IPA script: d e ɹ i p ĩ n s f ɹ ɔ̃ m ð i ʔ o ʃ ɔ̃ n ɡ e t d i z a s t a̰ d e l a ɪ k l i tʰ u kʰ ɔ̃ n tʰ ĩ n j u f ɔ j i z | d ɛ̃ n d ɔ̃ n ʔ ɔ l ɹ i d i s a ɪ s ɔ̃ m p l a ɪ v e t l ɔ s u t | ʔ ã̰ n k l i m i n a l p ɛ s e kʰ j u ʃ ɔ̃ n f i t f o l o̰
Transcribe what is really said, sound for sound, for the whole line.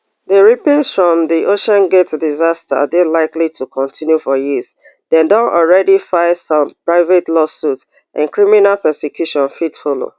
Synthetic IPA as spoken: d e ɹ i p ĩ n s f ɹ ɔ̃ m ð i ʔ o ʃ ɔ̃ n ɡ e t d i z a s t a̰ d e l a ɪ k l i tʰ u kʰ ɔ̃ n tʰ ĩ n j u f ɔ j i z | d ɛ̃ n d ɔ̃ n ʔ ɔ l ɹ ɛ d i f a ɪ s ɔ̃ m p ɹ a ɪ v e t l ɔ s u t | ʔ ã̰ n k ɹ i m i n a l p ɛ s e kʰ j u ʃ ɔ̃ n f i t f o l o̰

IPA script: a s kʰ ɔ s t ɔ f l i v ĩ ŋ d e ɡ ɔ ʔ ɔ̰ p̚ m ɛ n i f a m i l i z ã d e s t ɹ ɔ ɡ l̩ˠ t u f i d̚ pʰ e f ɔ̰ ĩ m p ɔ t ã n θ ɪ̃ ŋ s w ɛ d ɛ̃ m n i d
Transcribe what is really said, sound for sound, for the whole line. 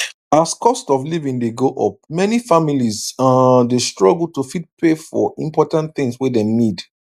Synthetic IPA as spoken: a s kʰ ɔ s t ɔ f l i v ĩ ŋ d e ɡ o ʔ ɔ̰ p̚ m ɛ n i f a m i l i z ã d e s t ɹ ɔ ɡ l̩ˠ t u f i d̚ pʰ e f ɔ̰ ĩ m p ɔ t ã n θ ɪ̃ ŋ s w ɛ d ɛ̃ m n i d

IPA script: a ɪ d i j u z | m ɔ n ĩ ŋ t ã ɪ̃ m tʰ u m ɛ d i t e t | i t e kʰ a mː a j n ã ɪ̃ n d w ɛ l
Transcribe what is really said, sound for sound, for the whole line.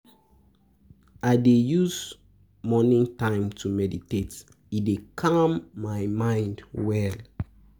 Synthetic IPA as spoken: a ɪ d e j u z | m ɔ n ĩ ŋ t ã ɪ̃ m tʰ u m ɛ d i t e t | i d e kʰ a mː a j m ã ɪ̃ n d w ɛ l

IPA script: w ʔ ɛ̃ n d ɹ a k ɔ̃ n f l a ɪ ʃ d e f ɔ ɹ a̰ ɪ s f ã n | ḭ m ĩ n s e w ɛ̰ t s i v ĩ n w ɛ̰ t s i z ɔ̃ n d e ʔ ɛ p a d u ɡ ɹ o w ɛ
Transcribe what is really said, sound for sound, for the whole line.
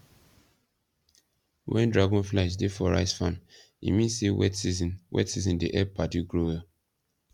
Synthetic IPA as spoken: w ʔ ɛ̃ n d ɹ a ɡ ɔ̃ n f l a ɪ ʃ d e f ɔ ɹ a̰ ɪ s f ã n | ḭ m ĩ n s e w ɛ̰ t s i z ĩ n w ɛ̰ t s i z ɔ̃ n d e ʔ ɛ p a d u ɡ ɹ o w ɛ

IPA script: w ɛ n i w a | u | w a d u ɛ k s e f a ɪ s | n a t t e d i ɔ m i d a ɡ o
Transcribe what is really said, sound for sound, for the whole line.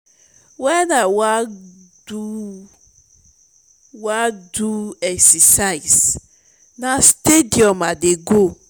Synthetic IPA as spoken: w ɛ n a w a | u | w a d u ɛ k s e s a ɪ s | n a s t e d i ɔ m a d e ɡ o

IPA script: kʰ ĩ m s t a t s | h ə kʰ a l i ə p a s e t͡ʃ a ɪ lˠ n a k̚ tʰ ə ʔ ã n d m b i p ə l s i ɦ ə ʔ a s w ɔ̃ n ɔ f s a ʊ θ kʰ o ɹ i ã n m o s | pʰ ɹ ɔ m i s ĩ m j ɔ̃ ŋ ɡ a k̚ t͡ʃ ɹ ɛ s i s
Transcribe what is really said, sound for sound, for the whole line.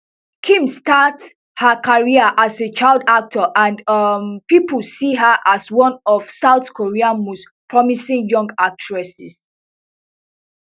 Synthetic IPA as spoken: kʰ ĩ m s t a t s | h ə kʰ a ɹ i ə ʔ a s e t͡ʃ a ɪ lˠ d a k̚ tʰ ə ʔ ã n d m p i p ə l s i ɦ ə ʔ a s w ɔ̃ n ɔ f s a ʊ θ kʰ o ɹ i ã n m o s | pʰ ɹ ɔ m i s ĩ ŋ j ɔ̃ ŋ ɡ a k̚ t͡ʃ ɹ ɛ s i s

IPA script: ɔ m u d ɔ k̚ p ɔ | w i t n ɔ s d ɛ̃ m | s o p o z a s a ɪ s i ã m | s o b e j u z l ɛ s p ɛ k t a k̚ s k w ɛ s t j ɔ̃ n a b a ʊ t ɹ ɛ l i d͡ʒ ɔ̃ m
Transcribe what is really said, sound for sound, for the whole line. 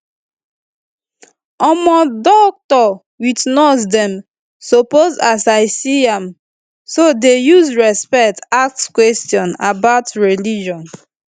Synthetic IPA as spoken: ɔ m ɔ d ɔ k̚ t ɔ | w i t n ɔ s d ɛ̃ m | s o p o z a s a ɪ s i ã m | s o d e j u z ɹ ɛ s p ɛ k t a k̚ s k w ɛ s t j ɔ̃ n a b a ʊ t ɹ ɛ l i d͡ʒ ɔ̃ n

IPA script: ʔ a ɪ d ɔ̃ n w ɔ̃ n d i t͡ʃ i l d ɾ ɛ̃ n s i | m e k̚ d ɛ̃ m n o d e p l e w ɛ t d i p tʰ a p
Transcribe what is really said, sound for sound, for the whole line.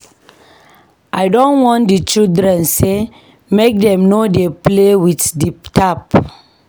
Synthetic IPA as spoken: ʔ a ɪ d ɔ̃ n w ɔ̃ n d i t͡ʃ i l d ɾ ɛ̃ n s e | m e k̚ d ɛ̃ m n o d e p l e w i t d i p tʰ a p

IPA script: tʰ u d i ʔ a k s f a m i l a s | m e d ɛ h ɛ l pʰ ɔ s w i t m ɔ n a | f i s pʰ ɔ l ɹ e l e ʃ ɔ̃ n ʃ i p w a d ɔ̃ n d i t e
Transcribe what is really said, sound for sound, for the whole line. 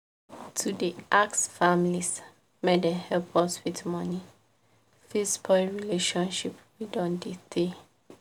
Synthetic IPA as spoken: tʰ u d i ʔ a k s f a m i l i s | m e d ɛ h ɛ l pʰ ɔ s w i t m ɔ n i | f i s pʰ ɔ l ɹ i l e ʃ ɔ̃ n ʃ i p w i d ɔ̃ n d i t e

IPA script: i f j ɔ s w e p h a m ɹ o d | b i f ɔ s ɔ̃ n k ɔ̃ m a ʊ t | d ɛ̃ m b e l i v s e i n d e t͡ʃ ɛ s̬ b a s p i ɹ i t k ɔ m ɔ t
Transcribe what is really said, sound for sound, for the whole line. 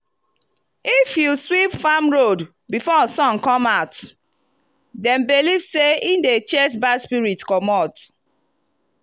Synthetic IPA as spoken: i f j u s w i p f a m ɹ o d | b i f ɔ s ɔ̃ n k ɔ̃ m a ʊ t | d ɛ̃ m b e l i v s e i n d e t͡ʃ ɛ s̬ b a s p i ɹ i t k ɔ m ɔ t

